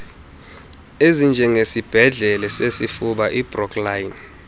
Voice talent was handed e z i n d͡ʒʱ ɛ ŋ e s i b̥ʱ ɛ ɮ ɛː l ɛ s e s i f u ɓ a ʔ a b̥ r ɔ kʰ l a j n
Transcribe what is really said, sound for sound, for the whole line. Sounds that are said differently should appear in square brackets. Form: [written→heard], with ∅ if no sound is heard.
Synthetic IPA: e z i n d͡ʒʱ ɛ ŋ e s i b̥ʱ ɛ ɮ [ɛː→ɛ] l ɛ s e s i f u ɓ a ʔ [a→i] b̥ r ɔ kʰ l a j n